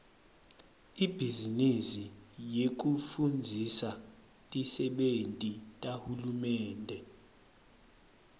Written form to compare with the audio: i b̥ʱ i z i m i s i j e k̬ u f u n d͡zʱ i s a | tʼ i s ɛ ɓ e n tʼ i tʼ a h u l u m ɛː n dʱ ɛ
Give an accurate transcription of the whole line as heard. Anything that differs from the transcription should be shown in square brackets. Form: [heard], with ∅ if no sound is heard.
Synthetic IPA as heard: i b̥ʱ i z i [n] i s i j e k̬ u f u n d͡zʱ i s a | tʼ i s ɛ ɓ e n tʼ i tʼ a h u l u m ɛː n dʱ ɛ